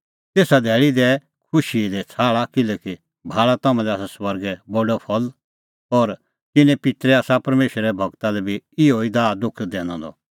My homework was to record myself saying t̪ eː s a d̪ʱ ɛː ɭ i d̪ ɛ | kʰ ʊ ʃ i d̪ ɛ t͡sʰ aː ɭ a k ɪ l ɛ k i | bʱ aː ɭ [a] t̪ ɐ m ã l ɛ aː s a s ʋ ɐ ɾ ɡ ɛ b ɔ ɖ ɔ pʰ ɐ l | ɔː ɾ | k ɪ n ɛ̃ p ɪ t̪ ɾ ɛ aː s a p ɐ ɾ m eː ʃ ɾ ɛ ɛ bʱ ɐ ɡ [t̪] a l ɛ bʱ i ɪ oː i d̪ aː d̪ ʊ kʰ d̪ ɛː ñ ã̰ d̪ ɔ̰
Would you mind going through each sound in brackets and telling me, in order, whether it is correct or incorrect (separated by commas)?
correct, correct